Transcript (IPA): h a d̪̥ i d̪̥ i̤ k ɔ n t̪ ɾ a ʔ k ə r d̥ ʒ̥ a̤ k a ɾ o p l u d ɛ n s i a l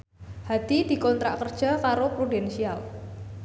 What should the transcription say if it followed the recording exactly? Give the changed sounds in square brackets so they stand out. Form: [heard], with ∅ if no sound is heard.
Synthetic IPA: h a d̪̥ i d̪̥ i̤ k ɔ n t̪ ɾ a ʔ k ə r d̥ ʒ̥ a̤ k a ɾ o p [ɾ] u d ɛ n s i a l